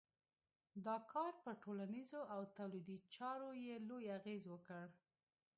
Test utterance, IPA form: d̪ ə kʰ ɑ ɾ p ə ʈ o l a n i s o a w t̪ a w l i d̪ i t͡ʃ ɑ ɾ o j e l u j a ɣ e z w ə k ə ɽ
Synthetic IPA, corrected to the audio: d̪ ɑ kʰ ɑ ɾ p ə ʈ o l a n i z o a w t̪ a w l i d̪ i t͡ʃ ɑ ɾ o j e l o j a ɣ e z w ə k ə ɽ